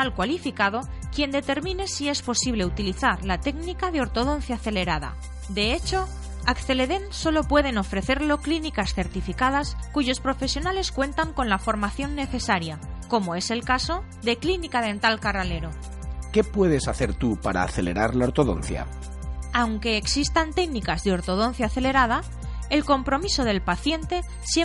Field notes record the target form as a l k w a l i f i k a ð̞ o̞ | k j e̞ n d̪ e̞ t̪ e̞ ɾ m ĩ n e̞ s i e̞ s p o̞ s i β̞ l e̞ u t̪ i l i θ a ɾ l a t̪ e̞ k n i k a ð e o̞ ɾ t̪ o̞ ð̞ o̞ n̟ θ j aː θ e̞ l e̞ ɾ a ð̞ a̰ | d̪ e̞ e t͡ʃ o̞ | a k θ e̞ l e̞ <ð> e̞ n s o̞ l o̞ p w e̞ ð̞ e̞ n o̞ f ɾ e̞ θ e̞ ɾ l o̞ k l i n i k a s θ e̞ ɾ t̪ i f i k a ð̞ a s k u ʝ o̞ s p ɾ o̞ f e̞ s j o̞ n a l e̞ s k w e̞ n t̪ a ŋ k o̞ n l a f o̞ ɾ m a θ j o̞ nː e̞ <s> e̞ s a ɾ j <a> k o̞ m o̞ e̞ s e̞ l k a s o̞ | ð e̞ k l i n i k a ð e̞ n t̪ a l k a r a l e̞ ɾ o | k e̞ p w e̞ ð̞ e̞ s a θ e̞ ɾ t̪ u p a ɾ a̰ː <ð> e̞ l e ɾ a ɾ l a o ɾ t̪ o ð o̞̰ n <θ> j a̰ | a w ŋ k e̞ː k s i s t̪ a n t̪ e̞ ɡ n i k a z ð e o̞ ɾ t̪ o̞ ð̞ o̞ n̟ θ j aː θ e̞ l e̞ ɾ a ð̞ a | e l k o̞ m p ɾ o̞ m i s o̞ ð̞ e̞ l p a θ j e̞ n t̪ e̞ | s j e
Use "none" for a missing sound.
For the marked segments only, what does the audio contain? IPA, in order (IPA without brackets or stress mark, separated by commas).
ð, θ, a, θ, θ